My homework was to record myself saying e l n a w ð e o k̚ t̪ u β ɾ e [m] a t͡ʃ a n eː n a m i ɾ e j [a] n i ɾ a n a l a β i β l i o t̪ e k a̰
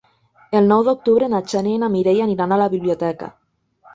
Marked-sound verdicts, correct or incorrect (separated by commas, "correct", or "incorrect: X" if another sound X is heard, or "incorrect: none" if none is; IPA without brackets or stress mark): incorrect: n, correct